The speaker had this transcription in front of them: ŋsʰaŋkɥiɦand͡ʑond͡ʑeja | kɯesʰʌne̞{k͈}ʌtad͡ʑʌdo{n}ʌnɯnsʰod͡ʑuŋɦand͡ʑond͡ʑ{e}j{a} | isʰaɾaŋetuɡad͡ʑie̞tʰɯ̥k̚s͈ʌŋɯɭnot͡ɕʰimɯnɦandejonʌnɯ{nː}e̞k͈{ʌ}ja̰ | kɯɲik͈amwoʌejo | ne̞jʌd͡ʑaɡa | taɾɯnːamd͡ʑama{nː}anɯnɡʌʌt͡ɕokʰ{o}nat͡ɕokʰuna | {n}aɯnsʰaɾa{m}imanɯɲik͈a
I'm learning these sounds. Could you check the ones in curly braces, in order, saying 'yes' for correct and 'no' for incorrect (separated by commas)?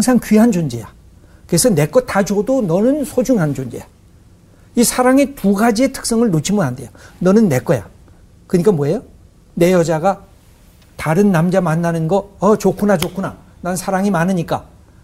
yes, yes, yes, yes, yes, yes, yes, no, yes, no